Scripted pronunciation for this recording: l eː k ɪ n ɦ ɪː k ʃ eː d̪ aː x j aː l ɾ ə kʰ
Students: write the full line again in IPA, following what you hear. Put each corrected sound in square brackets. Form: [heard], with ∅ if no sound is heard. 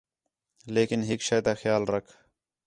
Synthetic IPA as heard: l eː k ɪ n ɦ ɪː k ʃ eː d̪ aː x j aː l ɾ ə kʰ

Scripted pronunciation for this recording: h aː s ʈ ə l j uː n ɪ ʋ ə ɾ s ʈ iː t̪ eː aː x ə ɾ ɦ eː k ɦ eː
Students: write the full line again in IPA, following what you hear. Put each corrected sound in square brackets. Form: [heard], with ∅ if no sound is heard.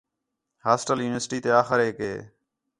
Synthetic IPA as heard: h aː s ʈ ə l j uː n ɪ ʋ ə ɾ s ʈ iː t̪ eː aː x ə ɾ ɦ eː k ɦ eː

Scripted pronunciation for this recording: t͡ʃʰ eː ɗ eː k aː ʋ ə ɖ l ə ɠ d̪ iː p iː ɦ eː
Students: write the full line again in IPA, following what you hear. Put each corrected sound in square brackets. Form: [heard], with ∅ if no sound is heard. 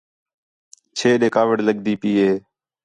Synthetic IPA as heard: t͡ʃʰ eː ɗ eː k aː ʋ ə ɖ l ə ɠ d̪ iː p iː ɦ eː

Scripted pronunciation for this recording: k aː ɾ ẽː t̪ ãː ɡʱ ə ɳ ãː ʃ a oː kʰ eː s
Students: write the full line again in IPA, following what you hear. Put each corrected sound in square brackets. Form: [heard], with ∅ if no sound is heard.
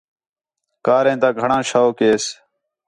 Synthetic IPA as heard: k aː ɾ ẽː t̪ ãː ɡʱ ə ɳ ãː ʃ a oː [k] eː s

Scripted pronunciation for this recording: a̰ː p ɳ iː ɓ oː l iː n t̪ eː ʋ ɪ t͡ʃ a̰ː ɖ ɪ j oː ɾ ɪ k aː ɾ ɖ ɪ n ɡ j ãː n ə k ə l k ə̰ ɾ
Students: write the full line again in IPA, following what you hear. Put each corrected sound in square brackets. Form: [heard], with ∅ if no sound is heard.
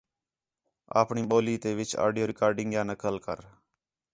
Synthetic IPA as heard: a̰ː p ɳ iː ɓ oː l iː [∅] t̪ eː ʋ ɪ t͡ʃ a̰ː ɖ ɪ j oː ɾ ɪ k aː ɾ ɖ ɪ [ŋ] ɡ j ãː n ə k ə l k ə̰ ɾ

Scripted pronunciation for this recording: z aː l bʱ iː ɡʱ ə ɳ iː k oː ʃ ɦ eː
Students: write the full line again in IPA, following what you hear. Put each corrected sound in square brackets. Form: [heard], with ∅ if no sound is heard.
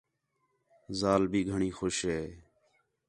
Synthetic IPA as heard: z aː l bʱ iː ɡʱ ə ɳ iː [x] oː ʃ ɦ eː

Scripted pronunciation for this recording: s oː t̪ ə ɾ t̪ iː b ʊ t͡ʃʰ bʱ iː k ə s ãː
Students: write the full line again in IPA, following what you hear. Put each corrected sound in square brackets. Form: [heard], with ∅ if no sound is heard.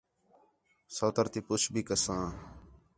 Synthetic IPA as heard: s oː t̪ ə ɾ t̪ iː [p] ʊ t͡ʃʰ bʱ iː k ə s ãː

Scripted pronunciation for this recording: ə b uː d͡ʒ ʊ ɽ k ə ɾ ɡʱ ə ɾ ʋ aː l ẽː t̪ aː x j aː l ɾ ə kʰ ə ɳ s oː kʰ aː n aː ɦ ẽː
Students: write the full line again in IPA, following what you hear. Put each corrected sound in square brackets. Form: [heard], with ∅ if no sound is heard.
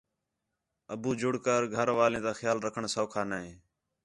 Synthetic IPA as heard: ə b uː d͡ʒ ʊ ɽ k ə ɾ ɡʱ ə ɾ ʋ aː l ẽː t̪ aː x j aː l ɾ ə kʰ ə ɳ s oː kʰ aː n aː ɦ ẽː

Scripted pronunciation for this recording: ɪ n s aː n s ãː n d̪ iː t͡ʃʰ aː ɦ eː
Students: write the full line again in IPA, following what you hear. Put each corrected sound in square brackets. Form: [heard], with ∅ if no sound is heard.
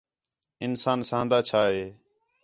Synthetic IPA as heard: ɪ n s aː n s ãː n d̪ [aː] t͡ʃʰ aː ɦ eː

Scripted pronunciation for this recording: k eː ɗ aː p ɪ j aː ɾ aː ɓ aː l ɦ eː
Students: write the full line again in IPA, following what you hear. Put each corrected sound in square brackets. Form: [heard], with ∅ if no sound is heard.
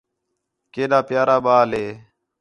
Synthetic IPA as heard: k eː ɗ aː p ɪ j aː ɾ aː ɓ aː l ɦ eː

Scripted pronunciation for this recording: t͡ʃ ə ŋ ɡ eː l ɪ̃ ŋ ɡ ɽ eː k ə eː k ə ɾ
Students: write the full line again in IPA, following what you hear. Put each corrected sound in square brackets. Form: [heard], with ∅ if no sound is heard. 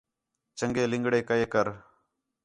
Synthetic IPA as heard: t͡ʃ ə ŋ ɡ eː l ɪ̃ ŋ ɡ ɽ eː k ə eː k ə ɾ

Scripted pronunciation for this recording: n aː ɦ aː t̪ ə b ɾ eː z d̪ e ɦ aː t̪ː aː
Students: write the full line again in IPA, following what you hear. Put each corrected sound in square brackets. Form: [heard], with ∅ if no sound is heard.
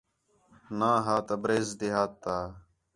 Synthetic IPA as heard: n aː ɦ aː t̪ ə b ɾ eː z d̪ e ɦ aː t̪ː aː

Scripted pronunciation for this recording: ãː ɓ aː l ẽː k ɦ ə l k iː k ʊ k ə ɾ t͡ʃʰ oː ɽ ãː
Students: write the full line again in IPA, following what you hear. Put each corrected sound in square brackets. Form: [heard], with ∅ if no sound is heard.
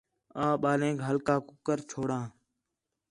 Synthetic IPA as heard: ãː ɓ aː l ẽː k ɦ ə l k [aː] k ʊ k ə ɾ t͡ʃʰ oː ɽ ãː

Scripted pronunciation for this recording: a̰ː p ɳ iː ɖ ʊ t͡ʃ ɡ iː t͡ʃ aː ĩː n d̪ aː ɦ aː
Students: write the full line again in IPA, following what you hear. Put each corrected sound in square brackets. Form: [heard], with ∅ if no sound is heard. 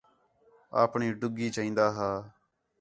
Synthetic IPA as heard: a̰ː p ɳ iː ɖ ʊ [∅] ɡ iː t͡ʃ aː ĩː n d̪ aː ɦ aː

